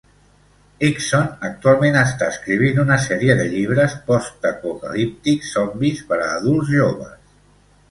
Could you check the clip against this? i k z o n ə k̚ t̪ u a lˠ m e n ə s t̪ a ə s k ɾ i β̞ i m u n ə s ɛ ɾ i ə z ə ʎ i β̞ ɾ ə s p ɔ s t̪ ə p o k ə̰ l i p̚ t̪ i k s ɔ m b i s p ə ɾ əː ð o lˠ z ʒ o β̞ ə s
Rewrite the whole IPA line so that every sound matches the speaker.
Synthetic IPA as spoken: i k s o n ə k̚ t̪ u a lˠ m e n ə s t̪ a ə s k ɾ i β̞ i n u n ə s ɛ ɾ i ə ð ə ʎ i β̞ ɾ ə s p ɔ s t̪ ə p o k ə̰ l i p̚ t̪ i k s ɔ m b i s p ə ɾ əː ð u lˠ z ʒ o β̞ ə s